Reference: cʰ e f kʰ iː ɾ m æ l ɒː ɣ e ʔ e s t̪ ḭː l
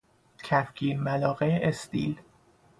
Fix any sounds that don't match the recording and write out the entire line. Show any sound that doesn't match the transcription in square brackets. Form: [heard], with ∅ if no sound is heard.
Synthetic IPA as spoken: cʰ [æ] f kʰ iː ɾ m æ l ɒː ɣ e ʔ e s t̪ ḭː l